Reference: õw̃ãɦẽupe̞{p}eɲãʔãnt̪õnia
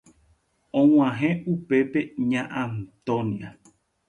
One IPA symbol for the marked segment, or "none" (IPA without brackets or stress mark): p